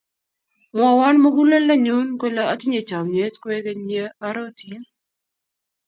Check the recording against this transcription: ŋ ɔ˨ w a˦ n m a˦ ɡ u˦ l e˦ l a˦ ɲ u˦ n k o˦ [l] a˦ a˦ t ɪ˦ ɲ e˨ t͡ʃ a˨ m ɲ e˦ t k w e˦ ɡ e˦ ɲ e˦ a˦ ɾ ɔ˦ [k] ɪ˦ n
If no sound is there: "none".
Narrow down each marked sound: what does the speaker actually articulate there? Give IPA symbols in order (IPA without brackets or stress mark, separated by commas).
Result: l, t